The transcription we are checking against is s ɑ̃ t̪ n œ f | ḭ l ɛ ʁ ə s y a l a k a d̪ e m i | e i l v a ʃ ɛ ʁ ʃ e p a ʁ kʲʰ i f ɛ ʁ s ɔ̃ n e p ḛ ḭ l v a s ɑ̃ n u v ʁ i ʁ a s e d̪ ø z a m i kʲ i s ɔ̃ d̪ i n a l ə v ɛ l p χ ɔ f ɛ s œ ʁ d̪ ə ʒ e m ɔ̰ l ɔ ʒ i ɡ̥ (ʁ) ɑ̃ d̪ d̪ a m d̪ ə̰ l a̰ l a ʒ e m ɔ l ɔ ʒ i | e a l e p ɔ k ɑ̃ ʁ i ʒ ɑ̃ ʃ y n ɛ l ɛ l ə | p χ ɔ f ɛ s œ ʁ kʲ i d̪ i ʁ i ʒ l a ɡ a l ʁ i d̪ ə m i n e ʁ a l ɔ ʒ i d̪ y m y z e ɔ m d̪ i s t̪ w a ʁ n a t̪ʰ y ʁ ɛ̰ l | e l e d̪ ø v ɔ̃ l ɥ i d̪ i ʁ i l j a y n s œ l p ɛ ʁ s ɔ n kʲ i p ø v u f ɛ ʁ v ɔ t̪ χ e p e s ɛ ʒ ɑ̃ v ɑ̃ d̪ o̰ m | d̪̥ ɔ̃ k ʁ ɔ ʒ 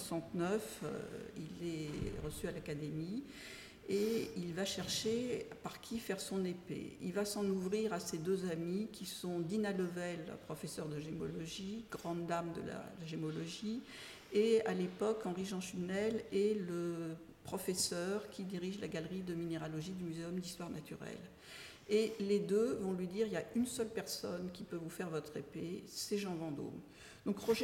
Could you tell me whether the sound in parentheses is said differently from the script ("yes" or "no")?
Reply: no